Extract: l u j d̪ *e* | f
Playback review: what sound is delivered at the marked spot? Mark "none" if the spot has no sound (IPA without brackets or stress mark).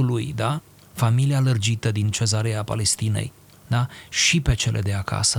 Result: a